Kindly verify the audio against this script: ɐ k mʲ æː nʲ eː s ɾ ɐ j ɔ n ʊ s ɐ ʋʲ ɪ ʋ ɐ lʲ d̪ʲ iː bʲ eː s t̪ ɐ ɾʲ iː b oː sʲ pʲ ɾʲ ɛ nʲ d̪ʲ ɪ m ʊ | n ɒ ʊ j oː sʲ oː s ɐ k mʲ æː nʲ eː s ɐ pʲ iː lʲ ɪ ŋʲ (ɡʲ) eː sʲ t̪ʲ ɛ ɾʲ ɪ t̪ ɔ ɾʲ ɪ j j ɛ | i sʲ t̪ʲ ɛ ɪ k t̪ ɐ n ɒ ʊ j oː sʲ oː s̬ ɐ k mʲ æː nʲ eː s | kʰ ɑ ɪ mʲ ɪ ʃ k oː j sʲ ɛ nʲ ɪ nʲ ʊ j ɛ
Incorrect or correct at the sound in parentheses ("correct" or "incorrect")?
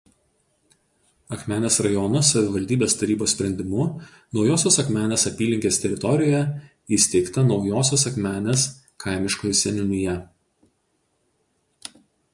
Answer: incorrect